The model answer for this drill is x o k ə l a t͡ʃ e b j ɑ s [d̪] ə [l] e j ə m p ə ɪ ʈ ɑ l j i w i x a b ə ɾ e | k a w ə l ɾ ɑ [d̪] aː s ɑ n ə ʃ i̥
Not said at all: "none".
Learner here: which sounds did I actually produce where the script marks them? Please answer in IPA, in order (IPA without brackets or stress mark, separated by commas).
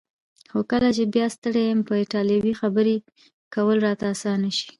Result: t̪, ɽ, t̪